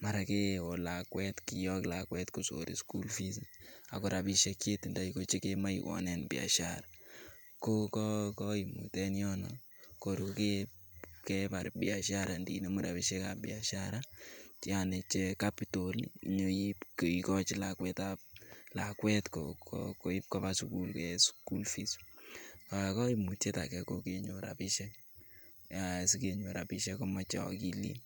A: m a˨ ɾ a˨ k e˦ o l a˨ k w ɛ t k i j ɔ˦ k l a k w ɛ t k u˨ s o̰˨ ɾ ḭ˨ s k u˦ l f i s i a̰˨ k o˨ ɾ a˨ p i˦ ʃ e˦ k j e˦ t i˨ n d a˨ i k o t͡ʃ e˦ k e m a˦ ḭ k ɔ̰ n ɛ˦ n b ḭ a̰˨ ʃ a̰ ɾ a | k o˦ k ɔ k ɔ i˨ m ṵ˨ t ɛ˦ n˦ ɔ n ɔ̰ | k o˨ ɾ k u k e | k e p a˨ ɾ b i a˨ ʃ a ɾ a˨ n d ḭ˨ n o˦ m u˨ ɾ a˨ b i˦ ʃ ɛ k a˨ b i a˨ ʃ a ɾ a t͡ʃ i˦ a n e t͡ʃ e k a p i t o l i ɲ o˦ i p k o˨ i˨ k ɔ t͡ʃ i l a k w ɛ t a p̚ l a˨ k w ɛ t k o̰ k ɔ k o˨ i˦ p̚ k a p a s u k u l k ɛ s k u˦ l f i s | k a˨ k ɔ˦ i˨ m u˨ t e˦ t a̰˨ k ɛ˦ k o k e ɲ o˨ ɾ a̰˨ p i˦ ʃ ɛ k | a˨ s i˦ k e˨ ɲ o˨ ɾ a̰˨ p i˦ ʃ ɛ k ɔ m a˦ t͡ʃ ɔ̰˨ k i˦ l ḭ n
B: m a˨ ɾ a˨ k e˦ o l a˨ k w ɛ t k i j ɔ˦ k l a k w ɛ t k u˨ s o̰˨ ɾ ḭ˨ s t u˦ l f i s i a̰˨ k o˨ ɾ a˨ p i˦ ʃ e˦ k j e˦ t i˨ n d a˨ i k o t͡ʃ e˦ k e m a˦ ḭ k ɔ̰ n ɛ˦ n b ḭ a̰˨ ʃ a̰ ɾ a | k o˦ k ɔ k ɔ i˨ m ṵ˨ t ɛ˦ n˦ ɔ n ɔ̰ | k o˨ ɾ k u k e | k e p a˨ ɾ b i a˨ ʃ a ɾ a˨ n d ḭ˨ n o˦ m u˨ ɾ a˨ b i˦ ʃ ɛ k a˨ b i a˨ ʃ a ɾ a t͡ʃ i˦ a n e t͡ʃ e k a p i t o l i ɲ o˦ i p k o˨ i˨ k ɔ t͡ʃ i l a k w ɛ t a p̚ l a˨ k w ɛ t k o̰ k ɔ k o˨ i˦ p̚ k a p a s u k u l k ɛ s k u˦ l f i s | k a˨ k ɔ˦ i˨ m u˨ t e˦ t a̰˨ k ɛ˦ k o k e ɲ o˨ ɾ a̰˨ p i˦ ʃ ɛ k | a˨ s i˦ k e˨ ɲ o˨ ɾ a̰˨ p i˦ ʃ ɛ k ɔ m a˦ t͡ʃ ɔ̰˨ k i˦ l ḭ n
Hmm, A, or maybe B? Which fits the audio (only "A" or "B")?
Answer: A